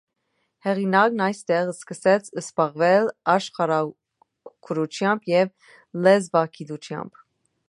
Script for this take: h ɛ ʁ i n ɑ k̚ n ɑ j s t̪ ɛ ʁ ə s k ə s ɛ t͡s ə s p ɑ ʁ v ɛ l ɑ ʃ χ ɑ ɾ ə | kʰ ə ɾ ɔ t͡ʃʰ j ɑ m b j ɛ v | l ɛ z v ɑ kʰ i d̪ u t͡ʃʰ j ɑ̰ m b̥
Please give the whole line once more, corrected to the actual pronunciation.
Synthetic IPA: h ɛ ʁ i n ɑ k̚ n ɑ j s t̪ ɛ ʁ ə s k ə s ɛ t͡sʰ ə s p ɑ ʁ v ɛ l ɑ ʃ χ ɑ ɾ ɑ | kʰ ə ɾ u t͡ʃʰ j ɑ m b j ɛ v | l ɛ z v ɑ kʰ i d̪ u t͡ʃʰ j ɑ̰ m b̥